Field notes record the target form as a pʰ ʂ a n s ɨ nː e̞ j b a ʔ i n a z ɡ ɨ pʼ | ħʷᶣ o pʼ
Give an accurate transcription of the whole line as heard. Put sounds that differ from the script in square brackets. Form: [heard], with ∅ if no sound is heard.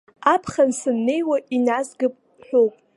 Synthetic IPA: a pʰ [χ] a n s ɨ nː e̞ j [w] a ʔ i n a z ɡ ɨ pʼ | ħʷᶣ o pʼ